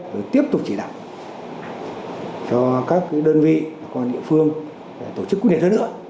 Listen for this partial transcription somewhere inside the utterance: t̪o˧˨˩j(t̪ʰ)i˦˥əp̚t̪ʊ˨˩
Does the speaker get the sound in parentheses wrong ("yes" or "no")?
yes